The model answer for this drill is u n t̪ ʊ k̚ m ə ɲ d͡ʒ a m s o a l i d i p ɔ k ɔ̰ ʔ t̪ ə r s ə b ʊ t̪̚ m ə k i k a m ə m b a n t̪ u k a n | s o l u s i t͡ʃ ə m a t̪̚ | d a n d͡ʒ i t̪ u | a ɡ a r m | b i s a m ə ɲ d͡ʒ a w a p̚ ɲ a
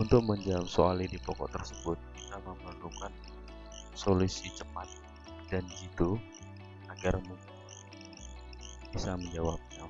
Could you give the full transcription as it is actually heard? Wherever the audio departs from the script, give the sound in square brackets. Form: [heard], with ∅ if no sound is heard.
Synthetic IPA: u n t̪ ʊ k̚ m ə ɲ d͡ʒ a m s o a l i d i p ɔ k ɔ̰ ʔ t̪ ə r s ə b ʊ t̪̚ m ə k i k a m ə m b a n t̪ u k a n | s o l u s i t͡ʃ ə m a t̪̚ | d a n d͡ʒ i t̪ u | a ɡ a r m | b i s a m ə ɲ d͡ʒ a w a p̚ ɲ a